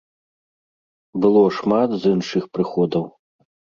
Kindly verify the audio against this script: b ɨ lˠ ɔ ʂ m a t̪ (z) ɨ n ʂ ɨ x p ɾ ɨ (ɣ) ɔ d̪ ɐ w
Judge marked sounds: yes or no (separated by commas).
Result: yes, no